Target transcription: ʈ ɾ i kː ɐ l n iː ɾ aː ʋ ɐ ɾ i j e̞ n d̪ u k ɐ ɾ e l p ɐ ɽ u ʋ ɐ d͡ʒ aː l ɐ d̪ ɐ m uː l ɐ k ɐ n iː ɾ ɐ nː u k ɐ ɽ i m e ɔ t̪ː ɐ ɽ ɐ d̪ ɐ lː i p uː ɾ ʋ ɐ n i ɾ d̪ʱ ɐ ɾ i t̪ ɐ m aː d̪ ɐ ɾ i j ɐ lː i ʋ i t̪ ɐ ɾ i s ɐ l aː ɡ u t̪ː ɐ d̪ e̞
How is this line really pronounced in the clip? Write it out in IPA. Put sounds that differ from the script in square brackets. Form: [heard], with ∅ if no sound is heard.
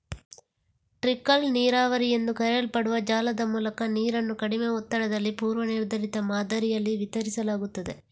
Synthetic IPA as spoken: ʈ ɾ i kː ɐ l n iː ɾ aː ʋ ɐ ɾ i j e̞ n d̪ u k ɐ ɾ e l p ɐ ɽ u ʋ ɐ d͡ʒ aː l ɐ d̪ ɐ m uː l ɐ k ɐ n iː ɾ ɐ nː u k ɐ ɽ i m e ɔ t̪ː ɐ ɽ ɐ d̪ ɐ lː i p uː ɾ ʋ ɐ n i ɾ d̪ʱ ɐ ɾ i t̪ ɐ m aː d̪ ɐ ɾ i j ɐ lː i ʋ i t̪ ɐ ɾ i s ɐ l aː ɡ u t̪ː ɐ d̪ e̞